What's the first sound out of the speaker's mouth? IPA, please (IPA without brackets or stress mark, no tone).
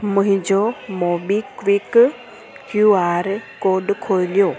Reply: m